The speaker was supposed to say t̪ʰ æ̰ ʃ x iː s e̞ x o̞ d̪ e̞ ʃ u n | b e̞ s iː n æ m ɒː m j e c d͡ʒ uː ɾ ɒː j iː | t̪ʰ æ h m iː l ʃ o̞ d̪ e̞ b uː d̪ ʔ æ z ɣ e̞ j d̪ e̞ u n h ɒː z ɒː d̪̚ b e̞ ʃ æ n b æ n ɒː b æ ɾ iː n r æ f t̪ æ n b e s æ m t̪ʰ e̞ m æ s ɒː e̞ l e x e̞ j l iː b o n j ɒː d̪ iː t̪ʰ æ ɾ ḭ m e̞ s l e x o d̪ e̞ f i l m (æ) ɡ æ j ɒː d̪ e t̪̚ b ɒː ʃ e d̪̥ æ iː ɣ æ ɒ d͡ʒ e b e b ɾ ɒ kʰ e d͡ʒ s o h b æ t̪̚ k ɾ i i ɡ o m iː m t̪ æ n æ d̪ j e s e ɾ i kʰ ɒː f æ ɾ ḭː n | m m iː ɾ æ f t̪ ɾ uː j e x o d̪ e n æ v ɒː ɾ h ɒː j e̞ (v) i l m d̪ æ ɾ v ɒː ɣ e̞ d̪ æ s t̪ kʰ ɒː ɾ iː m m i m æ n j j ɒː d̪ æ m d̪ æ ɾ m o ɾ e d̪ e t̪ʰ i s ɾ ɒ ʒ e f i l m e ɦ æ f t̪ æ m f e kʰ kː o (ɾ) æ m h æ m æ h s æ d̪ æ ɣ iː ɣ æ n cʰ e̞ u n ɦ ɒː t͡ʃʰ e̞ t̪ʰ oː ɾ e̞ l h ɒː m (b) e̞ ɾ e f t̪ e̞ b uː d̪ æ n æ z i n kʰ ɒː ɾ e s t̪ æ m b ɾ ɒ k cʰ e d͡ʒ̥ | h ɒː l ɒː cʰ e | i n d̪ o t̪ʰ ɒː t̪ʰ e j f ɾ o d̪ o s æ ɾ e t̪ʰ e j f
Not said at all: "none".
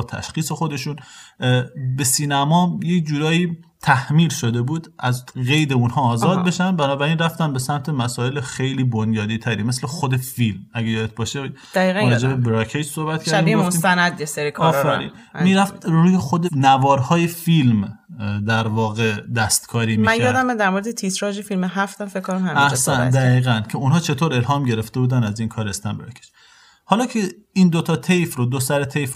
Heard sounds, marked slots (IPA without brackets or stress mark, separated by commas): æ, f, ɾ, ɟ